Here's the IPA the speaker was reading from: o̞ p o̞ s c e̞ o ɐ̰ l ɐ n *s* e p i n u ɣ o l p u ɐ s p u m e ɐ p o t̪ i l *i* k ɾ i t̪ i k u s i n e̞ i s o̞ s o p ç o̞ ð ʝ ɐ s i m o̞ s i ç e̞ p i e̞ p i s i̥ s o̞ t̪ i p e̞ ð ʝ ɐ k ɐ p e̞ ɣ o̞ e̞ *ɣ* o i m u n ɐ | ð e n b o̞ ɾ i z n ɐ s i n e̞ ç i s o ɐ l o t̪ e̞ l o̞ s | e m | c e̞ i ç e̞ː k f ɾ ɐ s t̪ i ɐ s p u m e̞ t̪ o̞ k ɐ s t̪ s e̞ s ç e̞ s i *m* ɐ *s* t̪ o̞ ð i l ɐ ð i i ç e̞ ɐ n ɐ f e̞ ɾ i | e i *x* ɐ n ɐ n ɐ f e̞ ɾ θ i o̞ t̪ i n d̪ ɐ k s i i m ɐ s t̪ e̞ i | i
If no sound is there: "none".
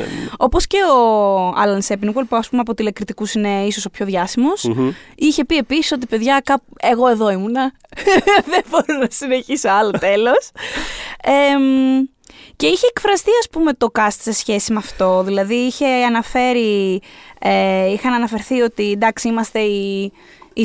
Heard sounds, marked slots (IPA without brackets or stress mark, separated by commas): s, e, ð, m, f, x